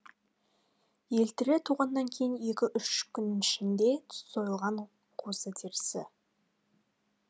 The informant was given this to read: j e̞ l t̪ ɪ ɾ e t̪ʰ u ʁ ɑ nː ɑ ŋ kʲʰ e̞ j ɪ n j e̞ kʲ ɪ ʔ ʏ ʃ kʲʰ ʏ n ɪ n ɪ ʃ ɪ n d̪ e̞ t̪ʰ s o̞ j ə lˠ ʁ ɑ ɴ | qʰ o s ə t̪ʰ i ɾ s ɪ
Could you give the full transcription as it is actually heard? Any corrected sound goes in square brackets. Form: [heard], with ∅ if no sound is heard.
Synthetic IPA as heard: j e̞ l t̪ ɪ ɾ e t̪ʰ u ʁ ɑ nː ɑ ŋ kʲʰ e̞ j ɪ n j e̞ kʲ ɪ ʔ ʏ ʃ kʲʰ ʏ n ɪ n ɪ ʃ ɪ n d̪ e̞ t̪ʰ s o̞ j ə lˠ ʁ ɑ ɴ | qʰ o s ə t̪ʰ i ɾ s ɪ